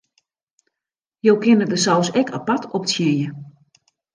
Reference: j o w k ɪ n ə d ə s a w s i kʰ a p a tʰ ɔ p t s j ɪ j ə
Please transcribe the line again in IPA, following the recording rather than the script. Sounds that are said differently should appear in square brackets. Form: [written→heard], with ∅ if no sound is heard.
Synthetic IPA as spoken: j o w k ɪ n ə d ə s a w s [i→ɛ] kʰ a p a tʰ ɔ p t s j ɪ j ə